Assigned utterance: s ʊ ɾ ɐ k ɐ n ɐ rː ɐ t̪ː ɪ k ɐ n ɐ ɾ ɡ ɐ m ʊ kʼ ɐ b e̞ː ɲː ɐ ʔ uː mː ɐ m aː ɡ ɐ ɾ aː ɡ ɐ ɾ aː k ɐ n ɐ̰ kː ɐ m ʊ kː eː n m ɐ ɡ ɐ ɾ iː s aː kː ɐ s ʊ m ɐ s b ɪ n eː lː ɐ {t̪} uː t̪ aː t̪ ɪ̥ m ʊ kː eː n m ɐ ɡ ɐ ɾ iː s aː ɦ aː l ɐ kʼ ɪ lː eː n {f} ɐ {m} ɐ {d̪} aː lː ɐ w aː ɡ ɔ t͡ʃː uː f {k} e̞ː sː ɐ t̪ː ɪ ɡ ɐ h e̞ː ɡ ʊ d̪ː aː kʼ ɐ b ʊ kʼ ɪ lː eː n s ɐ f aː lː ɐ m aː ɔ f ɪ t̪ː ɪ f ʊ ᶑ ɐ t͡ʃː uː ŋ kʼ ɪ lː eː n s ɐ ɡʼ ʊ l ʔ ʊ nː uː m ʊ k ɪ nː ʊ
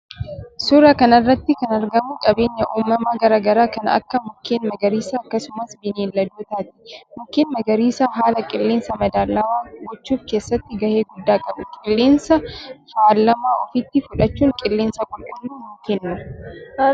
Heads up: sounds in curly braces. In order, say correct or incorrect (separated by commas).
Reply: incorrect, incorrect, correct, correct, correct